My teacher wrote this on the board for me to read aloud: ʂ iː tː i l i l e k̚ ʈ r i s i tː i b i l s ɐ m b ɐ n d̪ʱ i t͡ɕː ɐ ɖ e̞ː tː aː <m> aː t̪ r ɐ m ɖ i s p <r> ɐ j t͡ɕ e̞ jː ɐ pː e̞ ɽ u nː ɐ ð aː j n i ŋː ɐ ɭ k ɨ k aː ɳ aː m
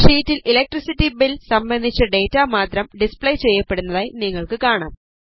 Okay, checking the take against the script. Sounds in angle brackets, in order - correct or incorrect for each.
correct, incorrect: ɭ

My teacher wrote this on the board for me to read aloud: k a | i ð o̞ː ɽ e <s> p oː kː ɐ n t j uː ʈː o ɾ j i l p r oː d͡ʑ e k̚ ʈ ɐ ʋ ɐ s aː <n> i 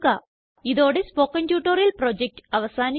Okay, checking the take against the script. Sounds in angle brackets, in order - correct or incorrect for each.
correct, correct

